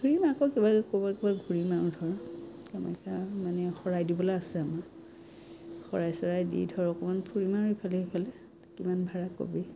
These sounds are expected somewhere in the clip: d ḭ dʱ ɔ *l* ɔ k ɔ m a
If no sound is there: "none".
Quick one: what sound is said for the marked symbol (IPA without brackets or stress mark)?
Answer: ɹ